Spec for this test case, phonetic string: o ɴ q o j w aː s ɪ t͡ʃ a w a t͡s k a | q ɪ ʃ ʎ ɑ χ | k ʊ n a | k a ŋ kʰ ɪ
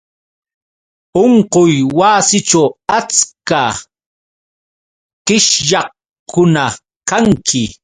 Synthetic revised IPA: o ɴ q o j w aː s ɪ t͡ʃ a w a t͡s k a | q ɪ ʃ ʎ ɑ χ | k ʊ n a | k a ŋ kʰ ɪ